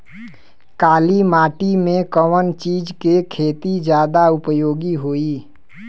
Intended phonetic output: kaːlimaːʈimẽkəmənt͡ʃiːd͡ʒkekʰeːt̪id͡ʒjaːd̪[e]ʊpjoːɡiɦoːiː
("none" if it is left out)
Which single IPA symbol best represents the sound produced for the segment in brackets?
a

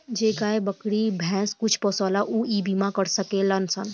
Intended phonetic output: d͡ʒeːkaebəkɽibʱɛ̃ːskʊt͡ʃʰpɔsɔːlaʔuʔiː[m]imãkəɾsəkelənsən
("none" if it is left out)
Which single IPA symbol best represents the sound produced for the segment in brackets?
b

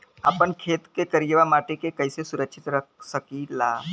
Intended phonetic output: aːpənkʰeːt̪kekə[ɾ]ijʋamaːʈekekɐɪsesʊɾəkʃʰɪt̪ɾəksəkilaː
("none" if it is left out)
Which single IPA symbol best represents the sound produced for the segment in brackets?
ɾ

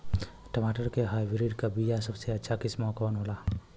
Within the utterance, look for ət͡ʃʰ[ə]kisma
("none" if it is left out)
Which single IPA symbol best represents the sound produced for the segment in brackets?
a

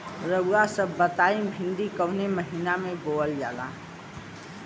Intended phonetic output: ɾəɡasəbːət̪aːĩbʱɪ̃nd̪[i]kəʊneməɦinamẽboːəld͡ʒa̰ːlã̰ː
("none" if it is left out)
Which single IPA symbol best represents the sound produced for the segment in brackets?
i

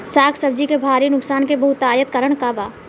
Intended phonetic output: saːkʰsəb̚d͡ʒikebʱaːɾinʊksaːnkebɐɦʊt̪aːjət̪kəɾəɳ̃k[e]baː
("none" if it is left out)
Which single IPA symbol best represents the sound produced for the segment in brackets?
a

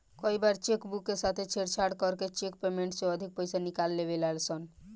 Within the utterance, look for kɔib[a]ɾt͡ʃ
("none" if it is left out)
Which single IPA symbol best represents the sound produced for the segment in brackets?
a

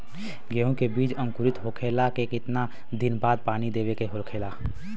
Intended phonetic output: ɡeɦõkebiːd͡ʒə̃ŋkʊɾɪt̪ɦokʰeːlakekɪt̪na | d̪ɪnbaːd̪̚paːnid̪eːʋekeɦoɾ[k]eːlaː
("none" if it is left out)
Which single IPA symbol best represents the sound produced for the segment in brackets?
kʰ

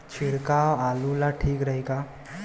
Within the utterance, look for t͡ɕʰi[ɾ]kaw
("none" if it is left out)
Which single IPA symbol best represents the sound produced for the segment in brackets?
ɽ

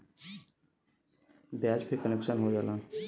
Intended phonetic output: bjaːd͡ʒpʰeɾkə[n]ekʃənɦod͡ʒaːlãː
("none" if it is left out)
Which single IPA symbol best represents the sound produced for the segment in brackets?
n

